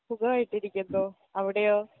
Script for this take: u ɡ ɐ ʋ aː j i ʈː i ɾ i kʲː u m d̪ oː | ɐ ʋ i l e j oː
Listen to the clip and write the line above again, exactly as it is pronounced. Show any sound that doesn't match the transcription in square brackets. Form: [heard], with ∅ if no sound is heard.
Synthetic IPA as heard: u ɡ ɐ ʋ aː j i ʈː i ɾ i kʲː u [n] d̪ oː | ɐ ʋ i [ɽ] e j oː